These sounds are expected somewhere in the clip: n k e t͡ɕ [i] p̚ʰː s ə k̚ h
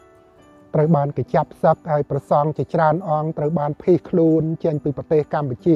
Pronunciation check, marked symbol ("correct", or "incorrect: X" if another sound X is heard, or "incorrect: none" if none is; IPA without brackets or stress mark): incorrect: a